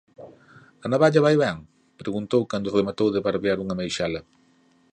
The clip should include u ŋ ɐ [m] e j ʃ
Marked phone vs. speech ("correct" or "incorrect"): correct